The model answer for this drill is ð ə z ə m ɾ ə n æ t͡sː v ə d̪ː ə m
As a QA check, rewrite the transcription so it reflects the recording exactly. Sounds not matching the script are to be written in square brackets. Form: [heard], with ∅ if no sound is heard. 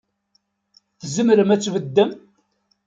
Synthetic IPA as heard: [θ] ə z ə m ɾ ə [m] æ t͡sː v ə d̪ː ə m